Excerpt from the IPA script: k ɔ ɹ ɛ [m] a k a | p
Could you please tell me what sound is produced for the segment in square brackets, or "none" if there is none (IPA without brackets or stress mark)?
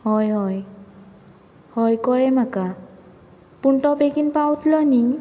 m